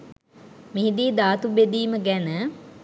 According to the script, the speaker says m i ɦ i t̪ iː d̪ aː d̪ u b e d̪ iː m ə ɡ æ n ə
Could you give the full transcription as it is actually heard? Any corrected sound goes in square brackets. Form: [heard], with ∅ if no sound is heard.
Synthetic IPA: m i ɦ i [d̪] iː d̪ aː [t̪] u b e d̪ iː m ə ɡ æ n ə